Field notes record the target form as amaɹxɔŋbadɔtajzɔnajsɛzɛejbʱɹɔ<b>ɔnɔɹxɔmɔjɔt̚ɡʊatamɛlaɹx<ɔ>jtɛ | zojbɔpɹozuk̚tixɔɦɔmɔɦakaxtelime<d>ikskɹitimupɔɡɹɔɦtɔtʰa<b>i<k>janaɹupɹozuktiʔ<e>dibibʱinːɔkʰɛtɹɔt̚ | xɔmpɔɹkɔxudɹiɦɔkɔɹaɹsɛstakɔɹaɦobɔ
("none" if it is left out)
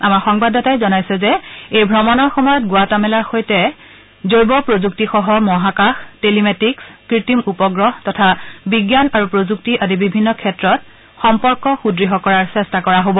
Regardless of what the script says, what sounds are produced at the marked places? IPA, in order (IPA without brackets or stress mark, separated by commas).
m, o, t, b, ɡ, a